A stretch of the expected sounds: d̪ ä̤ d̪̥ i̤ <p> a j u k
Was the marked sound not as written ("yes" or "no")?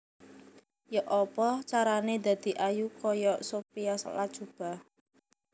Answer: yes